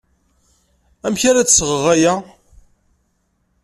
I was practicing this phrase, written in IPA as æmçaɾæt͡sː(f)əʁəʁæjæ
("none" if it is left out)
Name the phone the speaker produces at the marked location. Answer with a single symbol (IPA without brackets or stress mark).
s